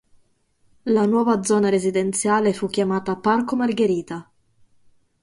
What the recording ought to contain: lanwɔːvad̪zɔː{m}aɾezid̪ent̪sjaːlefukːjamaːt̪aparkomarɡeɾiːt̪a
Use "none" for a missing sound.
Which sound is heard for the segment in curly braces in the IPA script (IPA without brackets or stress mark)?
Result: n